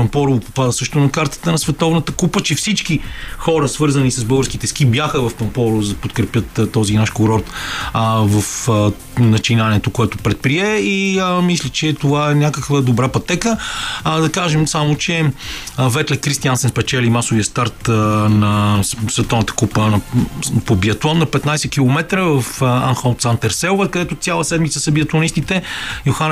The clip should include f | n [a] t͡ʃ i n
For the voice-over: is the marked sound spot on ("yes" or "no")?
no